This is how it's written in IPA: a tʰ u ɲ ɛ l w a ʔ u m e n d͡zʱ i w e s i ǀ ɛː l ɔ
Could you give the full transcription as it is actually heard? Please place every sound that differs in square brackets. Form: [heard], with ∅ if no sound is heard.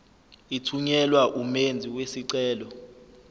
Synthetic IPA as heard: [i] tʰ u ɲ ɛ l w a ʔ u m e n d͡zʱ i w e s i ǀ ɛː l ɔ